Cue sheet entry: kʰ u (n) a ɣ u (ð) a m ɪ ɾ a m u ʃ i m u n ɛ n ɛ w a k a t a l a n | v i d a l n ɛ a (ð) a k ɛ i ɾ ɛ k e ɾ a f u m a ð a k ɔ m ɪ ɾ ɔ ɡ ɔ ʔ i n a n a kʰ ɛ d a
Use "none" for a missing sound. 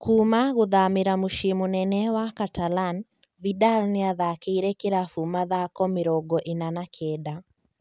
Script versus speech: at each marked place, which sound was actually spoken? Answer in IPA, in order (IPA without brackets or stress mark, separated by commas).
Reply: m, ð, ð